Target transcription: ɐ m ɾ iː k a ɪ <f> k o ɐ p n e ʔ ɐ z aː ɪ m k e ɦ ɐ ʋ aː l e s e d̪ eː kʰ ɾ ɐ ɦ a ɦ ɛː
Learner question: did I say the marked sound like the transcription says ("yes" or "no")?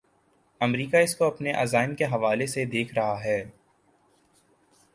no